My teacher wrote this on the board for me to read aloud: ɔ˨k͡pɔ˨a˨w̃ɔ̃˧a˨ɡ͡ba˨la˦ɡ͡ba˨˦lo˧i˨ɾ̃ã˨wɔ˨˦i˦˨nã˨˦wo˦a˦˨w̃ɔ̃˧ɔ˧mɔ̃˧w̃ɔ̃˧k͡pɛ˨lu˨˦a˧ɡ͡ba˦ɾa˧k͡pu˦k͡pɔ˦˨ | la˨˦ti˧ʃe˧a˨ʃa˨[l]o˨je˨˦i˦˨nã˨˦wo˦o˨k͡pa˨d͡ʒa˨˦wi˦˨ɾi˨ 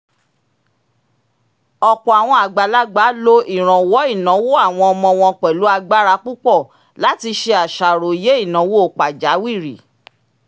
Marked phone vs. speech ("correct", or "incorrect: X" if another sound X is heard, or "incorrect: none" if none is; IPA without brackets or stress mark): incorrect: ɾ